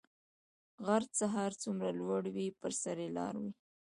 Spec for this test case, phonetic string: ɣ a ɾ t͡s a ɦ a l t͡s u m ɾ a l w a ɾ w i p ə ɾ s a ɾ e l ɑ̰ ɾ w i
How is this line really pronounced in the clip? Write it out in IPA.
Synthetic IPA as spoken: ɣ a ɾ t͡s a ɦ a ɾ t͡s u m ɾ a l w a ɽ w i p ə ɾ s a ɾ e l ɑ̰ ɾ w i